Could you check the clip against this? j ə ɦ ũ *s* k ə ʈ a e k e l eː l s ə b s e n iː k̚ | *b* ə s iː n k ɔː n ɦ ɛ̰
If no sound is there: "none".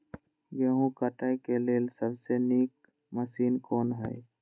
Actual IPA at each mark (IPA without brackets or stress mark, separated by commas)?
none, m